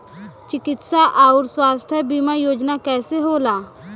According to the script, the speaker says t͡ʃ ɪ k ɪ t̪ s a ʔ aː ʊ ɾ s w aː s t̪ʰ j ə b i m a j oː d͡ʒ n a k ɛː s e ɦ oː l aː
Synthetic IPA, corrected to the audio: t͡ʃ ɪ k ɪ t̪ s a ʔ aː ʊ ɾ s w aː s t̪ʰ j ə b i m a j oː d͡ʒ n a k ɛː s e ɦ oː l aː